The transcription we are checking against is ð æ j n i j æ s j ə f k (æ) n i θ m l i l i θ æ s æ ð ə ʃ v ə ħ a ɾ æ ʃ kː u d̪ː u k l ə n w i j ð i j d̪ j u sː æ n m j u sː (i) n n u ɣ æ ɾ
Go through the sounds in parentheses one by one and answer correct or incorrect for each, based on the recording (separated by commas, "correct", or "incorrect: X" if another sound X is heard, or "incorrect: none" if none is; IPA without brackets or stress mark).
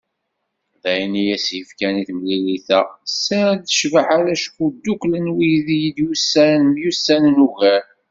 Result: correct, incorrect: æ